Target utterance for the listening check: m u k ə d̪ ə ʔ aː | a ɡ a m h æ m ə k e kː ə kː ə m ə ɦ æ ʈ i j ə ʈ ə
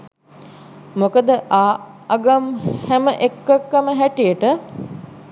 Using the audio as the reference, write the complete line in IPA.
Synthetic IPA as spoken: m o k ə d̪ ə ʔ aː | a ɡ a m h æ m ə ʔ e kː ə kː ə m ə ɦ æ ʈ i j ə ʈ ə